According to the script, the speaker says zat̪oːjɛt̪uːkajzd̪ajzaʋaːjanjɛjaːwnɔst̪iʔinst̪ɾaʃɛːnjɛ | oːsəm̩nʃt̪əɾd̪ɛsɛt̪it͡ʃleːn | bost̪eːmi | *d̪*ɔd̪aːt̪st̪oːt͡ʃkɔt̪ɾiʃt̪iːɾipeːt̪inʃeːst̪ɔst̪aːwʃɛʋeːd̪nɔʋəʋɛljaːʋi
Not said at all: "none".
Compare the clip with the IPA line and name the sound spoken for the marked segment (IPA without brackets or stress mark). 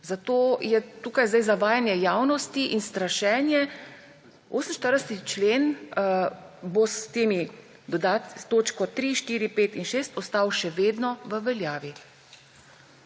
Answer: d̪